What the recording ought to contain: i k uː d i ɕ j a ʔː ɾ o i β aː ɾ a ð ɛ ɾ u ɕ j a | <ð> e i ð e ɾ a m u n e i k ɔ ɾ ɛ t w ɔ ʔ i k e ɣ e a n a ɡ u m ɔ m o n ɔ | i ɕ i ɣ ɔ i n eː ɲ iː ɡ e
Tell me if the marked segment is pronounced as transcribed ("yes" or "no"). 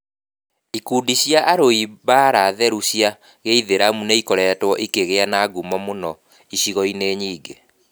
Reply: no